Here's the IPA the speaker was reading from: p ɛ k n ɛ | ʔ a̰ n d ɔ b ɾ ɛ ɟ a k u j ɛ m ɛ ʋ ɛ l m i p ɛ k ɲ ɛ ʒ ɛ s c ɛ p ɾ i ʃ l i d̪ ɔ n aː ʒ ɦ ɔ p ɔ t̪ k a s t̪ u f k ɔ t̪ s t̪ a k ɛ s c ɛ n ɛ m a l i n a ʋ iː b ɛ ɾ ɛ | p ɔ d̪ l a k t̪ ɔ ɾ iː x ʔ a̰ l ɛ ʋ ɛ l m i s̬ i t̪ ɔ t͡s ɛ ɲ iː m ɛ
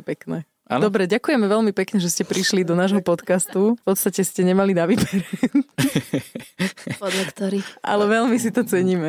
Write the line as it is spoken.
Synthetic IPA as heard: p ɛ k n ɛ | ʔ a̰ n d ɔ b ɾ ɛ ɟ a k u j ɛ m ɛ ʋ ɛ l m i p ɛ k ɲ ɛ ʒ ɛ s c ɛ p ɾ i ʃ l i d̪ ɔ n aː ʒ ɦ ɔ p ɔ t̪ k a s t̪ u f p ɔ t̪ s t̪ a c ɛ s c ɛ ɲ ɛ m a l i n a ʋ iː b ɛ ɾ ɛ | p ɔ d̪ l a k t̪ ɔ ɾ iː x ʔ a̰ l ɛ ʋ ɛ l m i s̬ i t̪ ɔ t͡s ɛ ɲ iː m ɛ